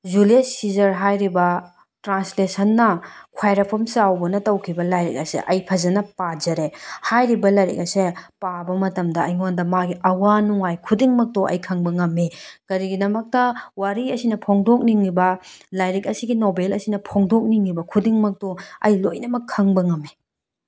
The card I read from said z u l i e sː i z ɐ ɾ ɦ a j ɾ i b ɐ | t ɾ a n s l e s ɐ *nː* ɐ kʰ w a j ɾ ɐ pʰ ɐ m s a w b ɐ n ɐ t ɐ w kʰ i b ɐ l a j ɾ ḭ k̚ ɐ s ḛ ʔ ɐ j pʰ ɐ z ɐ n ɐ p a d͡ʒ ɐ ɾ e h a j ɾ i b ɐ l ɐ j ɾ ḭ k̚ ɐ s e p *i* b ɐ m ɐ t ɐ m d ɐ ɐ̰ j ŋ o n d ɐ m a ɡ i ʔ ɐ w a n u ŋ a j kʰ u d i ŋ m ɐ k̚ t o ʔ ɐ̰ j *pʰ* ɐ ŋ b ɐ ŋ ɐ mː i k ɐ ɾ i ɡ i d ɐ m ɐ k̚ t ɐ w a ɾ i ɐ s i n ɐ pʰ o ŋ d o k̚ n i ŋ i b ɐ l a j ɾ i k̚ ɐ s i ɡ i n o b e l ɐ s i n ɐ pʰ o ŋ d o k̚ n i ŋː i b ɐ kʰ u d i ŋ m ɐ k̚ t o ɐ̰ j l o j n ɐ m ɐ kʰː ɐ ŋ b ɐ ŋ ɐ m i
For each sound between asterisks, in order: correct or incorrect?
correct, incorrect, incorrect

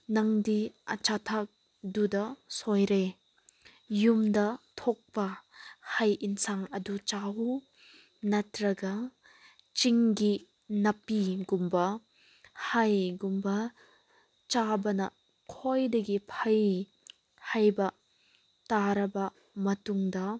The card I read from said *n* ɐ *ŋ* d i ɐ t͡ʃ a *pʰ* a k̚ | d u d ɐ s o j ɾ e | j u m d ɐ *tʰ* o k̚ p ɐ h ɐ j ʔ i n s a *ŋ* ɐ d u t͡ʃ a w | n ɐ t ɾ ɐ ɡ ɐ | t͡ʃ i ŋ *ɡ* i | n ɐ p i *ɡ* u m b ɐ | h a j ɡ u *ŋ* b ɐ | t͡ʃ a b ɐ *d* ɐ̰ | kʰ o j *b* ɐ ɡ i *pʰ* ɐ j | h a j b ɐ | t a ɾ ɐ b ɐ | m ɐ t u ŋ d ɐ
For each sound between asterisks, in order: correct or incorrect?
correct, correct, incorrect, correct, correct, correct, correct, incorrect, incorrect, incorrect, correct

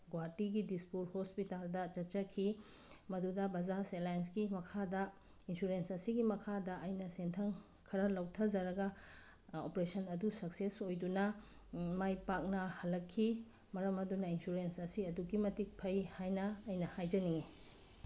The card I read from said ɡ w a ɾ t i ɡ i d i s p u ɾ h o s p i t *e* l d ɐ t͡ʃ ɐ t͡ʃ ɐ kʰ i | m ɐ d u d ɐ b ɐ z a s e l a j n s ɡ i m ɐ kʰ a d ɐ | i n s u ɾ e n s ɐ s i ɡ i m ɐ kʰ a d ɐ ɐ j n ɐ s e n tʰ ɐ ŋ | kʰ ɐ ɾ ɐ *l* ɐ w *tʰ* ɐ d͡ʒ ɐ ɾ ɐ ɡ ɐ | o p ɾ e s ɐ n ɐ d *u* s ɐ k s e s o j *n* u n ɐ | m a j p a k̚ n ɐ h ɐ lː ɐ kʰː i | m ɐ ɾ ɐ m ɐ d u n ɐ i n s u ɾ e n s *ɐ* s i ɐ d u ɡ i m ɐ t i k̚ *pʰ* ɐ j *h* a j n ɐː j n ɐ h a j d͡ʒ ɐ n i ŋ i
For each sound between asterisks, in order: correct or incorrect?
incorrect, correct, correct, correct, incorrect, correct, correct, correct

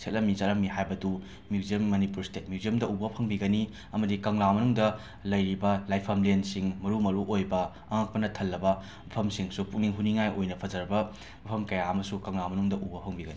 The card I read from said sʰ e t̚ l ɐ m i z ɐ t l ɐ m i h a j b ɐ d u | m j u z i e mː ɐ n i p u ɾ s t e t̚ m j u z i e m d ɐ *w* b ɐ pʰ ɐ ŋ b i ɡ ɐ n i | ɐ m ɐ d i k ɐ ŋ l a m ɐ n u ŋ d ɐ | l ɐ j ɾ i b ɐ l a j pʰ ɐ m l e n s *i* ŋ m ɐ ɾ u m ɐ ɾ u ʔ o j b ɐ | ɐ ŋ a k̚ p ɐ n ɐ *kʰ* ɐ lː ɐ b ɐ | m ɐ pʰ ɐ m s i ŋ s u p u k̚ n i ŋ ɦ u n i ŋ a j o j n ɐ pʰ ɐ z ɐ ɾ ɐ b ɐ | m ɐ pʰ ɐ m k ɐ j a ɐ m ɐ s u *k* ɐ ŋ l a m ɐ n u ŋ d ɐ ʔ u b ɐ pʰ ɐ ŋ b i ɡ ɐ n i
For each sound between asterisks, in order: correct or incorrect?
incorrect, correct, incorrect, correct

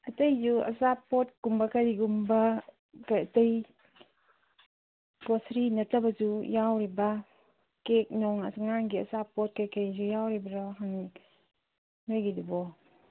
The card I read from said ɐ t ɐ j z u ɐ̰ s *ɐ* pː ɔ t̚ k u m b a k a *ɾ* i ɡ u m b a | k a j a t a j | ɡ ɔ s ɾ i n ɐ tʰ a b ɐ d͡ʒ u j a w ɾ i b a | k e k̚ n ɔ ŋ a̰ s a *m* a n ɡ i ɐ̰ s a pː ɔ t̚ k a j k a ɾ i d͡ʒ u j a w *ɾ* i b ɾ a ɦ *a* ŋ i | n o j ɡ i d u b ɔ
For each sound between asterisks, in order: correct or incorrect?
incorrect, correct, incorrect, correct, correct

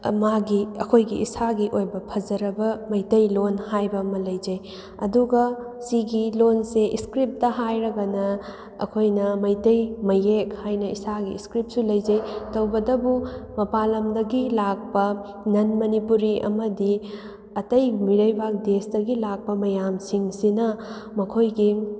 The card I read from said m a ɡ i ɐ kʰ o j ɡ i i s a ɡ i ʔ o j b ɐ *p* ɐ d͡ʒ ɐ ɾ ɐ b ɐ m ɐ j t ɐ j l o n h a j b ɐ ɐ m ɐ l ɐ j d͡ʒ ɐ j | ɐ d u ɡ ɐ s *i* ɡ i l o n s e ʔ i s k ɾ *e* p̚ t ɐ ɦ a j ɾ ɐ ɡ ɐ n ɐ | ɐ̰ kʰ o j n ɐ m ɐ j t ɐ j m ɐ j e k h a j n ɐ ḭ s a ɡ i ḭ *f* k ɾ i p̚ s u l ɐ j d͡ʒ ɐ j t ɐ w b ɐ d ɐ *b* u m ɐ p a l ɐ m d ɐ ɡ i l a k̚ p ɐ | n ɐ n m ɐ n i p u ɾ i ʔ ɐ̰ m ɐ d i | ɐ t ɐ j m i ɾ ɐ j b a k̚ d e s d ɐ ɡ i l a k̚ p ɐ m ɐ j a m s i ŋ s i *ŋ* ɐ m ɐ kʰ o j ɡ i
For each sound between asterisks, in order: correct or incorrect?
incorrect, correct, incorrect, incorrect, correct, incorrect

